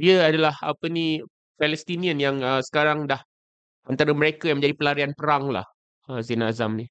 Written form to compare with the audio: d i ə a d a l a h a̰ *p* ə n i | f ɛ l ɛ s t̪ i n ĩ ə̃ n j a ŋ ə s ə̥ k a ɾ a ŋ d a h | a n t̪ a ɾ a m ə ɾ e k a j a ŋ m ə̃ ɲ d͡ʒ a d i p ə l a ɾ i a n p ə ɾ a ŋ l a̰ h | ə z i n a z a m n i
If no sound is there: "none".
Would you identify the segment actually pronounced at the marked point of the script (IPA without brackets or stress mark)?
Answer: p